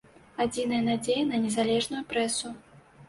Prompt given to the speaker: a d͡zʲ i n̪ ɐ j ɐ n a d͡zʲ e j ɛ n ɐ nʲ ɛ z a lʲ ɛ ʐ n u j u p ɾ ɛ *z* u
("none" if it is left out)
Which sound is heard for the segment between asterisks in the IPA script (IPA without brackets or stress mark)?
s